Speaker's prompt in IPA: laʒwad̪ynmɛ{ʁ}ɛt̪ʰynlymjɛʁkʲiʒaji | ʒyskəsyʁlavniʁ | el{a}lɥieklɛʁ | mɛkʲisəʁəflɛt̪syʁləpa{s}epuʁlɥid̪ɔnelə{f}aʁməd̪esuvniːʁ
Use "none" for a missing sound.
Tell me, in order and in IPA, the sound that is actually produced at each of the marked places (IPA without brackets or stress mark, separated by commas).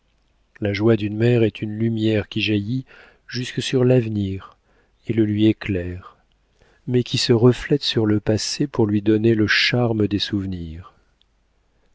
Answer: ʁ, ə, s, ʃ